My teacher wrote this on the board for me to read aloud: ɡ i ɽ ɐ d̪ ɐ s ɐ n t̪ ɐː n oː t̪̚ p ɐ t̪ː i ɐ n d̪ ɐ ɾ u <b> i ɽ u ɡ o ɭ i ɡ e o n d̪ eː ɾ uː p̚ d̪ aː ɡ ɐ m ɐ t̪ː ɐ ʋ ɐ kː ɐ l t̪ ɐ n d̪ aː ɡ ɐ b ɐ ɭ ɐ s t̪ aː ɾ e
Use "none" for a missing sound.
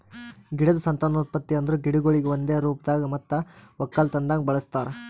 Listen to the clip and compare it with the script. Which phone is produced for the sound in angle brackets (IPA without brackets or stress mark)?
ɡ